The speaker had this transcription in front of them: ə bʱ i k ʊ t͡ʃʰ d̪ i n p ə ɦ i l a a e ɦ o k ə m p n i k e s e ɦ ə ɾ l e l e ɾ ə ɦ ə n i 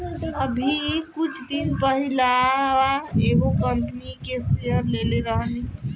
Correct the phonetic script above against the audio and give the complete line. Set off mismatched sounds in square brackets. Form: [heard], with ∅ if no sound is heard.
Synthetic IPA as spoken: ə bʱ i k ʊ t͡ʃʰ d̪ i n p ə ɦ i l a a e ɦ o k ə m p n i k e s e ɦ ə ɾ l e l e ɾ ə ɦ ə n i